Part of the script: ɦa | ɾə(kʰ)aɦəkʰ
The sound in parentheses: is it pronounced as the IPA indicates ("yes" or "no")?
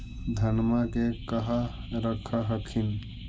yes